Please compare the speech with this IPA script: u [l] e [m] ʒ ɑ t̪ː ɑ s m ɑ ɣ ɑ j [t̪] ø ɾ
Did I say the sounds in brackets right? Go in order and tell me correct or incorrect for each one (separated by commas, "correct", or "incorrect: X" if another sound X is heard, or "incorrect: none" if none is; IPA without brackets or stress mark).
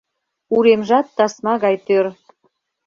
incorrect: ɾ, correct, correct